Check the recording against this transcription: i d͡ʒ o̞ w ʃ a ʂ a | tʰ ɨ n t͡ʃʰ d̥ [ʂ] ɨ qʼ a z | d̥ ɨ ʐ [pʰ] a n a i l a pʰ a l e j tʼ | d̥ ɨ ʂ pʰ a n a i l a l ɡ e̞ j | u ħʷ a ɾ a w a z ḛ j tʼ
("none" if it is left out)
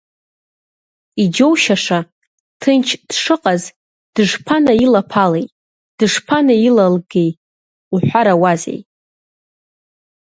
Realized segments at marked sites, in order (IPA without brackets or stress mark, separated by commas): ʂ, pʰ